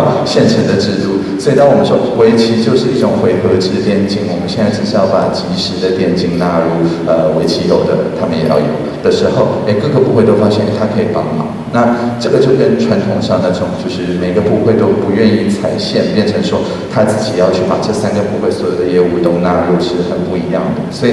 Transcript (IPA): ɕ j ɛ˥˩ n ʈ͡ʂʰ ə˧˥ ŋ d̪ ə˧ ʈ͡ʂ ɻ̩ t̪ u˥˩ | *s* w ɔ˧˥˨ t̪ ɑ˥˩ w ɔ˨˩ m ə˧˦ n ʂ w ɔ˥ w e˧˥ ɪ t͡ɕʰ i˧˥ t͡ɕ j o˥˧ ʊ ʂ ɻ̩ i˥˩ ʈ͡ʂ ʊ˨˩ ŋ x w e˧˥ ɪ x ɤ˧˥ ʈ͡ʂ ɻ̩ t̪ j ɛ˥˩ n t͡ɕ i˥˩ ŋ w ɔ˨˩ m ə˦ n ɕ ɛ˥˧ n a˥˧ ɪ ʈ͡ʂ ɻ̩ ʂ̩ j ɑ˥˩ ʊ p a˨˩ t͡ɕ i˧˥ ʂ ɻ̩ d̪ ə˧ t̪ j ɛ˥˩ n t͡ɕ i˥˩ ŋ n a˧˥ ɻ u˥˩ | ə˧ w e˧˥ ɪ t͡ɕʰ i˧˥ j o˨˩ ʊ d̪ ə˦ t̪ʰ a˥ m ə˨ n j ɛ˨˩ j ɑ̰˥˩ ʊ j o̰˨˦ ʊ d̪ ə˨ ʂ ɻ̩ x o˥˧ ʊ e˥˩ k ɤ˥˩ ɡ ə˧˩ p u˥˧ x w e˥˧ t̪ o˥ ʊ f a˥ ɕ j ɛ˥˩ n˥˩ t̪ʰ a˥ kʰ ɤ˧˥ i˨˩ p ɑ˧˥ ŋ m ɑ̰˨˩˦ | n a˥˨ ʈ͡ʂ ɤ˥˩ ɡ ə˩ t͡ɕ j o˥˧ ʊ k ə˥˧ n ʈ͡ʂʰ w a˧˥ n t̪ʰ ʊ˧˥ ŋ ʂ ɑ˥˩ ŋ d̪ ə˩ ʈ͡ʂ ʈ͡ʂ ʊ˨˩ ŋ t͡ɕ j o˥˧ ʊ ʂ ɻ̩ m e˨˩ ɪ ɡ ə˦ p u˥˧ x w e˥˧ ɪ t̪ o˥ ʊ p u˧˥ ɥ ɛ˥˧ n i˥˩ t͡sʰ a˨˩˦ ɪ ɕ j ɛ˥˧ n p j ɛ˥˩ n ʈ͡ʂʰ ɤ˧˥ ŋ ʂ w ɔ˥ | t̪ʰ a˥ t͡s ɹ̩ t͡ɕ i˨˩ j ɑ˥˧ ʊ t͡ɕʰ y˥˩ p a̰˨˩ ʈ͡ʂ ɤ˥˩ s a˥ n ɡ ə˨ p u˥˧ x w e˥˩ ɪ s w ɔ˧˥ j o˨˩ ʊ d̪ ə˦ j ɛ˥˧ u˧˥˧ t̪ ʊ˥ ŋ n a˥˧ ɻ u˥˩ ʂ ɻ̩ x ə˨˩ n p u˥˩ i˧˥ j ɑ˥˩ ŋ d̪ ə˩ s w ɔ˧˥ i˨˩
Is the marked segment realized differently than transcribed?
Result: no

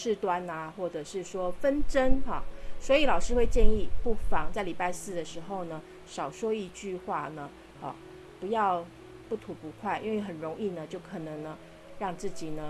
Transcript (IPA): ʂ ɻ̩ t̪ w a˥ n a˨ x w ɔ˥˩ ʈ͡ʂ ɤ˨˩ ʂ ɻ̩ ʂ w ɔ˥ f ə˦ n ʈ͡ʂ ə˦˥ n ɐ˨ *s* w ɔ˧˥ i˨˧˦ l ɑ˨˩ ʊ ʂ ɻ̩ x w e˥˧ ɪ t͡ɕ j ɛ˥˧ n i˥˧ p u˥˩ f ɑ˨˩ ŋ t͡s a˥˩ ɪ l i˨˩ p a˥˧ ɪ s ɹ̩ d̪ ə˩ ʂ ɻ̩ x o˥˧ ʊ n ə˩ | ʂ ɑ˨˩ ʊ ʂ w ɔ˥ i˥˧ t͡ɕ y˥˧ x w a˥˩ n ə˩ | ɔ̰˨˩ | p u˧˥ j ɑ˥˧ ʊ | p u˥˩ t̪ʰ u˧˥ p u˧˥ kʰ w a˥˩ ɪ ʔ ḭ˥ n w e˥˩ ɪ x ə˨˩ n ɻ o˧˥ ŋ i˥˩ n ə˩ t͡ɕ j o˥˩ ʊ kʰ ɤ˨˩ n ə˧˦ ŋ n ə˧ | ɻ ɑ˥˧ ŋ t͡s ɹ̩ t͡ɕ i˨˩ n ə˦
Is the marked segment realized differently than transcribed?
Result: no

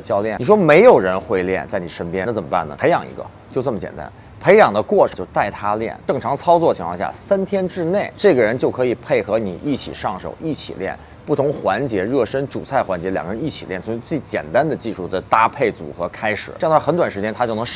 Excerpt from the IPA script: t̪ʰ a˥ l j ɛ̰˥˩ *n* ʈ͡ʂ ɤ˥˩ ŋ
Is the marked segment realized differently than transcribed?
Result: no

